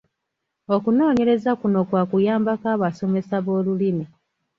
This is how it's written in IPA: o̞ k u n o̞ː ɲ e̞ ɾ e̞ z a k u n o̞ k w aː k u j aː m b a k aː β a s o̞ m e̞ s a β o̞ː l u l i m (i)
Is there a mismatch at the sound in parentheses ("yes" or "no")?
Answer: no